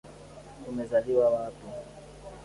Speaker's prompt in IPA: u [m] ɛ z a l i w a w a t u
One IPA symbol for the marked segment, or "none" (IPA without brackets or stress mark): m